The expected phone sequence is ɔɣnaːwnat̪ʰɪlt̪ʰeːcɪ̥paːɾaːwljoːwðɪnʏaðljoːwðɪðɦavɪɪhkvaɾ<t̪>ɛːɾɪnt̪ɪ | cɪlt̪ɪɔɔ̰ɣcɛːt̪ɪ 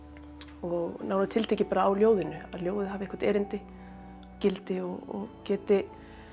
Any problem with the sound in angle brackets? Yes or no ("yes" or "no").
no